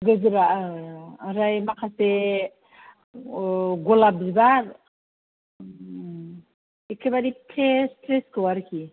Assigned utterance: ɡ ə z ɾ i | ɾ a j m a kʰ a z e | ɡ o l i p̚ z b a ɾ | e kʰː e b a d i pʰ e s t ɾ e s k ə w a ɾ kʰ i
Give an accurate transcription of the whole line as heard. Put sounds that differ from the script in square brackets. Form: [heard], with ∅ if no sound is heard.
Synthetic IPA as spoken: ɡ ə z ɾ [a] | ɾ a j m a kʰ a [s] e | ɡ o l [a] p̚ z b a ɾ | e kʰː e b a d i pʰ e s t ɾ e s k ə w a ɾ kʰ i

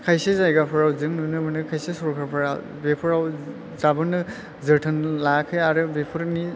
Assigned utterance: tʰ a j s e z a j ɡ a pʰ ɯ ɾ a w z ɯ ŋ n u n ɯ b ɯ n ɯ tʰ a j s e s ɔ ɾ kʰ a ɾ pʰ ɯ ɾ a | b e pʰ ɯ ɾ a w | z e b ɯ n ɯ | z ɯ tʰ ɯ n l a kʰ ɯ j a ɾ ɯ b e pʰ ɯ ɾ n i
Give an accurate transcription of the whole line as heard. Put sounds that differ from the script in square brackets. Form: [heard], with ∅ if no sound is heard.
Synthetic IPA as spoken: [kʰ] a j s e z a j ɡ a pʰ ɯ ɾ a w z ɯ ŋ n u n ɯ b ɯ n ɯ [kʰ] a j s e s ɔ ɾ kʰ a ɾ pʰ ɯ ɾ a | b e pʰ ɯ ɾ a w | z [a] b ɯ n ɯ | z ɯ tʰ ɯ n l a kʰ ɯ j a ɾ ɯ b e pʰ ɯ ɾ n i

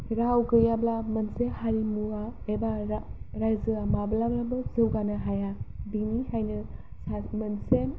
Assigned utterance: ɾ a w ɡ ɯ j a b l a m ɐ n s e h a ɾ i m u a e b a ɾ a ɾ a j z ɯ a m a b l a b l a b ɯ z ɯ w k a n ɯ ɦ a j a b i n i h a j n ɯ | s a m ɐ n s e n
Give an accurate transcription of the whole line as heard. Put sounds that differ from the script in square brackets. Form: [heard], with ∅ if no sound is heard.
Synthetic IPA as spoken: ɾ a w ɡ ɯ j a b l a m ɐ n s e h a ɾ i m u a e b a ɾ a ɾ a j z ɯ a m a b l a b l a b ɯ z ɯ w [ɡ] a n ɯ ɦ a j a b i n i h a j n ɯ | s a m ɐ n s e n

